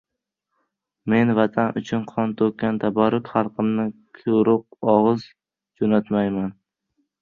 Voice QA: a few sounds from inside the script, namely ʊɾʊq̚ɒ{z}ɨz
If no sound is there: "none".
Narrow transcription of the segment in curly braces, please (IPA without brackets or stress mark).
ʁ